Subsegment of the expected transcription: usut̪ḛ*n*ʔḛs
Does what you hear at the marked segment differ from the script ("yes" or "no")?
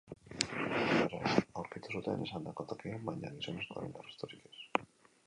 no